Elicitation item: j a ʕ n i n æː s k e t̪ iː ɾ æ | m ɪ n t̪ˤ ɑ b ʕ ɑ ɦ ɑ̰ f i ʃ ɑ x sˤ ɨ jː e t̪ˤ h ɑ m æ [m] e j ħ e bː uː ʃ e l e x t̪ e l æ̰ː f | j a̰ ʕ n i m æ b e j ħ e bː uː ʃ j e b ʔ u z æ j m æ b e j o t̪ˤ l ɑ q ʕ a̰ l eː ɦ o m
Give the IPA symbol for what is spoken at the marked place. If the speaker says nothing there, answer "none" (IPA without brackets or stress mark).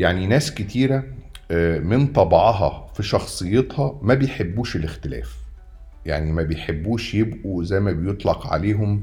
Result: b